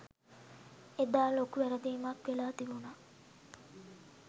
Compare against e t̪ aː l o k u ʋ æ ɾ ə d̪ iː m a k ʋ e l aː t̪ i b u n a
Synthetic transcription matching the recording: e d̪ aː l o k u ʋ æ ɾ ə d̪ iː m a k ʋ e l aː t̪ i b u n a